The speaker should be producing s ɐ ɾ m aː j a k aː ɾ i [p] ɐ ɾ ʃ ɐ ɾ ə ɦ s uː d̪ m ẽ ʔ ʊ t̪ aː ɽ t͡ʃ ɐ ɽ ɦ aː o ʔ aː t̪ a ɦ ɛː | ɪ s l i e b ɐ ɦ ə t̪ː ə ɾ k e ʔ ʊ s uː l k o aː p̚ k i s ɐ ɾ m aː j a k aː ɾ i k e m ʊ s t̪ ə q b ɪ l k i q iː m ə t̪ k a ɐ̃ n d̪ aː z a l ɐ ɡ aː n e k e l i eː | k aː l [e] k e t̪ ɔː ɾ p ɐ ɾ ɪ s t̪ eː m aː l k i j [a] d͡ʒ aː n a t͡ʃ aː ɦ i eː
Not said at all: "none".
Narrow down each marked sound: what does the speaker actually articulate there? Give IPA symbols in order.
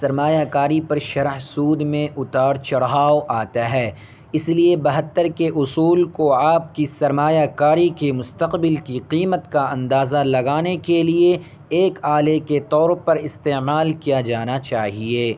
p, e, a

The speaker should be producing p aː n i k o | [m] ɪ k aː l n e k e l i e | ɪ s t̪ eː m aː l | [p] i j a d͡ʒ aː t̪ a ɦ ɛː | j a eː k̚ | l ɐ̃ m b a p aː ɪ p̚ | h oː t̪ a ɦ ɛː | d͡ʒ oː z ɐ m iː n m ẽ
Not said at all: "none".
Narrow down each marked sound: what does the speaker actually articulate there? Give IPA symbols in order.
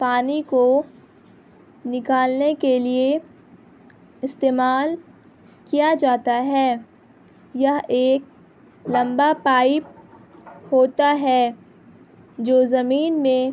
n, k

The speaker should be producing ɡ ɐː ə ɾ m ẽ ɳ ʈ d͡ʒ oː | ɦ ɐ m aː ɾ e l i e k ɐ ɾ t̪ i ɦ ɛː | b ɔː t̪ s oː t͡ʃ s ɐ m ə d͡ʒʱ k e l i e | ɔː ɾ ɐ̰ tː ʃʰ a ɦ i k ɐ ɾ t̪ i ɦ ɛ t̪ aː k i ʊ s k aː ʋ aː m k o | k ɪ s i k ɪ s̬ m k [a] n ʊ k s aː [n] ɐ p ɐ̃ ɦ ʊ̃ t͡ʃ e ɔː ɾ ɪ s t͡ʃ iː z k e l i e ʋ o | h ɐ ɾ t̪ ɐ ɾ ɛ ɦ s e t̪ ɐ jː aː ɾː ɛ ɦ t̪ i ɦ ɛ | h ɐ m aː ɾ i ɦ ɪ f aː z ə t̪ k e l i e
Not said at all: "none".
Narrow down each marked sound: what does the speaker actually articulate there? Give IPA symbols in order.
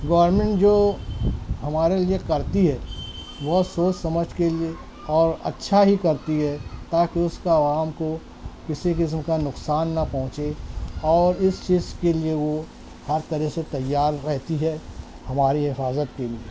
a, nː

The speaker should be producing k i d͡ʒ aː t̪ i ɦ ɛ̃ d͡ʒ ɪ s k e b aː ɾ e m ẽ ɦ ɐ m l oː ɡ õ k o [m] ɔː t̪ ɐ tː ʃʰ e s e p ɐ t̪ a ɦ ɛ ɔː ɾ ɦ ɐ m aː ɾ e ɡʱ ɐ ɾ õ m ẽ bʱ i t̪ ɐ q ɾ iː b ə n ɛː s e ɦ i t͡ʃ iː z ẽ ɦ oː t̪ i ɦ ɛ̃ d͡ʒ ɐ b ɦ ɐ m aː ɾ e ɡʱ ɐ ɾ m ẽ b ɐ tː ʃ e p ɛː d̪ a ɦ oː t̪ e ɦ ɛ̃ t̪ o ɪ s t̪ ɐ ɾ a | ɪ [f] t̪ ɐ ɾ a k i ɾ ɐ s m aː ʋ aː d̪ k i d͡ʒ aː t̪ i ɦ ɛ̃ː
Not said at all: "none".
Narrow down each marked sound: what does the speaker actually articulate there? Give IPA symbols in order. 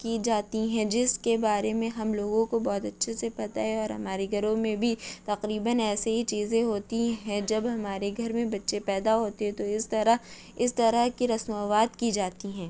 b, s

